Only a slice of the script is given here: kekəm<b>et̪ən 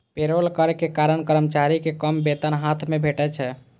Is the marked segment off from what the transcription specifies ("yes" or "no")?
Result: no